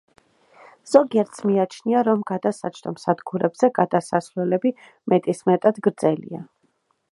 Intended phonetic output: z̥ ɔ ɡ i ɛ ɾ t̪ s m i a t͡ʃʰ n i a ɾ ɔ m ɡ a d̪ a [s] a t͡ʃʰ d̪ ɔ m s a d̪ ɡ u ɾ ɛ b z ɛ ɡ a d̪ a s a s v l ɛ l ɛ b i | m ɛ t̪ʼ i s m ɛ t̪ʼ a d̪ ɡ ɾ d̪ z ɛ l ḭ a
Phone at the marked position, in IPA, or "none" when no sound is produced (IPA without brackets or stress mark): s